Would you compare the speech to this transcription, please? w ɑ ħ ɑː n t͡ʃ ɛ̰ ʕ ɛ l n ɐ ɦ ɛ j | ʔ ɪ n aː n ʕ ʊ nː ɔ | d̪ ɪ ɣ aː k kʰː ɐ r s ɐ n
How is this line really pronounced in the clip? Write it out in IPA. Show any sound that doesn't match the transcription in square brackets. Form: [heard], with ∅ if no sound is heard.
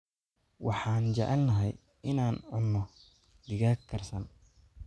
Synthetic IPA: w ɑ ħ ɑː n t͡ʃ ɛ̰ ʕ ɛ l n ɐ ɦ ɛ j | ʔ ɪ n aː n ʕ ʊ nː ɔ | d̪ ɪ ɣ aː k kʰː ɐ r s ɐ n